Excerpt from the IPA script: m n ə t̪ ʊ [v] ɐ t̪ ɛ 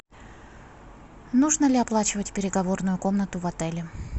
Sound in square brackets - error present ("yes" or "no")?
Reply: no